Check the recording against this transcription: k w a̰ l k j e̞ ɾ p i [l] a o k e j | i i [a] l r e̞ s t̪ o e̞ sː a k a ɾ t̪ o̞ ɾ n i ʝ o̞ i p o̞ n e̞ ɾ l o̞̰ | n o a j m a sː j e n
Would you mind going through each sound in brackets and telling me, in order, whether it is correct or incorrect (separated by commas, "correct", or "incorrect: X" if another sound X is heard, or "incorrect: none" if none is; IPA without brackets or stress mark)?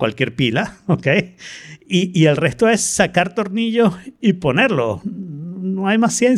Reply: correct, incorrect: e